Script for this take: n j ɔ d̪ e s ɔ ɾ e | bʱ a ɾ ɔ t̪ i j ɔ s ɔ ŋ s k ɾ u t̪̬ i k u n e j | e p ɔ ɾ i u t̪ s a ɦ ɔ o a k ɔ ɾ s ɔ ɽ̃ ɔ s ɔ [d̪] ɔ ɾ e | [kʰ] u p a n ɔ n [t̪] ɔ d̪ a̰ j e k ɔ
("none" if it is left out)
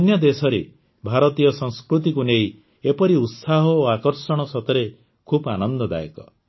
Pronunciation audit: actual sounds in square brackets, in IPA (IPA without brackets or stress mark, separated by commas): t̪, kʰ, d̪